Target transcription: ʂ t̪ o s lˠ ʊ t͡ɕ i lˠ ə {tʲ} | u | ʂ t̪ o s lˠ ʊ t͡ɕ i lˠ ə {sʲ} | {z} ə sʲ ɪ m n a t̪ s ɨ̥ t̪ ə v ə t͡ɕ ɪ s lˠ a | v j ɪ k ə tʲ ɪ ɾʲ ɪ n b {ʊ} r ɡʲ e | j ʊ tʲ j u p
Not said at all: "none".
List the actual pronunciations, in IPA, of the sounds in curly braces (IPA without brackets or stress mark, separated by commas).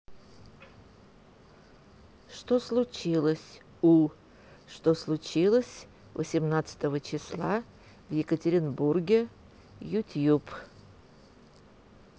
sʲ, sʲ, v, u